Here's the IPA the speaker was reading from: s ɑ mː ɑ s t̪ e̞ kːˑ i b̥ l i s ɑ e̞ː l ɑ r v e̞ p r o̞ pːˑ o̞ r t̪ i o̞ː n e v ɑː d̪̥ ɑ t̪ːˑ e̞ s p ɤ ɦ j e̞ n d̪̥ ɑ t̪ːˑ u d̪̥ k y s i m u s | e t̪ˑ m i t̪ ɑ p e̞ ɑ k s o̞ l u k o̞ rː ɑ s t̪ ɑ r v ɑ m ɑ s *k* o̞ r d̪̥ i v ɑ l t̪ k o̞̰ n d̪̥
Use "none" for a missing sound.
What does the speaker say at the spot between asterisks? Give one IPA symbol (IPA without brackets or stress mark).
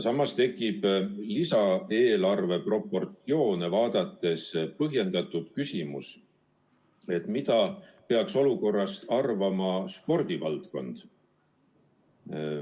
p